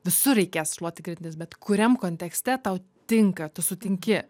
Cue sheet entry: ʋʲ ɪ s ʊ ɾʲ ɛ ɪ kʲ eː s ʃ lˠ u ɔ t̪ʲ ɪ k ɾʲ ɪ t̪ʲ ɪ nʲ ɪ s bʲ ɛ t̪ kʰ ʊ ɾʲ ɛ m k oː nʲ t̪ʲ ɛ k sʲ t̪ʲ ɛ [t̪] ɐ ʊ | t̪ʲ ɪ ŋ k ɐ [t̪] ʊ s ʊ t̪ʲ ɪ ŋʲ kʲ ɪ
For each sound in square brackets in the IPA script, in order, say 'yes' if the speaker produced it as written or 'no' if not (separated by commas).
yes, yes